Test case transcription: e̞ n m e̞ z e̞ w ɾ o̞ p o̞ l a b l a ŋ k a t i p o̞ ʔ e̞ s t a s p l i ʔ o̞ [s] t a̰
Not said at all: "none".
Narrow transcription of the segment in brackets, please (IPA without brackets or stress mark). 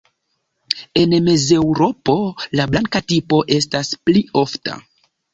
f